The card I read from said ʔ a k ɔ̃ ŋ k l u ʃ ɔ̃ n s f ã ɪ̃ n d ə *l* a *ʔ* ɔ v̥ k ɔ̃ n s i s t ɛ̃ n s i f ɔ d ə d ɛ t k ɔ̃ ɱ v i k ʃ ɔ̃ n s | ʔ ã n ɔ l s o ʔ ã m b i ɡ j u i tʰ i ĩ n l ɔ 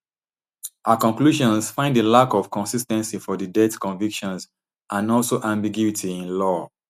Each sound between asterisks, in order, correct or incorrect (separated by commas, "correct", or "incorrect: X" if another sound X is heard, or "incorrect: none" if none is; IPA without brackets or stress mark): correct, incorrect: k